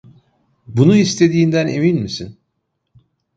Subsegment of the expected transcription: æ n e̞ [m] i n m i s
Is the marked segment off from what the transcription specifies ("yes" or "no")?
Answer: no